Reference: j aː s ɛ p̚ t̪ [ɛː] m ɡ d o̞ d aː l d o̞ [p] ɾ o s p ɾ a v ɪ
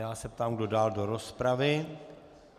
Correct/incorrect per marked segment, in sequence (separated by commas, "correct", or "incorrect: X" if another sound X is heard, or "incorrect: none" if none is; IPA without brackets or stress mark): incorrect: aː, incorrect: none